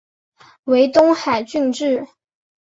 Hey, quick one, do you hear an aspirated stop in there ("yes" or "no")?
no